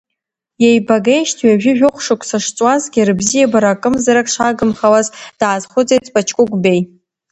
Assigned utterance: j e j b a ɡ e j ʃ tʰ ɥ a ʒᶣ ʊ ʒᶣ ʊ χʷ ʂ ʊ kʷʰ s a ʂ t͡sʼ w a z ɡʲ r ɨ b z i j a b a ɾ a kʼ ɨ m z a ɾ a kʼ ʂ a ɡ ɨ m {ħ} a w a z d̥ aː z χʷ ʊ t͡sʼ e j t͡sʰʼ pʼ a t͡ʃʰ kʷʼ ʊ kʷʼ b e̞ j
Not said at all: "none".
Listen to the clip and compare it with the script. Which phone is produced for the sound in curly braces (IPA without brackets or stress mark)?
χ